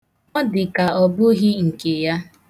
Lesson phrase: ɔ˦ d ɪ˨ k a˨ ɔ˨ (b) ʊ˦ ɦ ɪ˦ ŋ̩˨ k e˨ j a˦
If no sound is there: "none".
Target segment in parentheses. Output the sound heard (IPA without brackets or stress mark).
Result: b